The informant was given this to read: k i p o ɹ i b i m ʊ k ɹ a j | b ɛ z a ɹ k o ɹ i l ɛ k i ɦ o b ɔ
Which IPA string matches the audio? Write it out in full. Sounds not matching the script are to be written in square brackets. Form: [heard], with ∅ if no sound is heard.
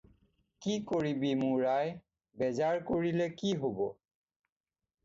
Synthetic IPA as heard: k i [k] o ɹ i b i m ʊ [∅] ɹ a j | b ɛ z a ɹ k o ɹ i l ɛ k i ɦ o b ɔ